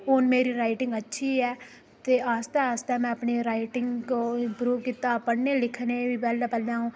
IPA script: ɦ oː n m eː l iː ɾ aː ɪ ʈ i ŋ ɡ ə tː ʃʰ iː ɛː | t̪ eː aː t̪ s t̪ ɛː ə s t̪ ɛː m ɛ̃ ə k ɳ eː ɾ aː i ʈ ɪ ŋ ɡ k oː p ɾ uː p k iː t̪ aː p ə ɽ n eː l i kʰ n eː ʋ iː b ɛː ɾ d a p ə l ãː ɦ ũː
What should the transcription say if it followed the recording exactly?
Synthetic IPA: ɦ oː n m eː ɾ iː ɾ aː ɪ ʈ ɪ ŋ ɡ ə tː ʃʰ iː ɛː | t̪ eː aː s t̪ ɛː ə s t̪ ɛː m ɛ̃ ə p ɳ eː ɾ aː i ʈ ɪ ŋ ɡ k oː p ɾ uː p k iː t̪ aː p ə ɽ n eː l ɪ kʰ n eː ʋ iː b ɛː l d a p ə l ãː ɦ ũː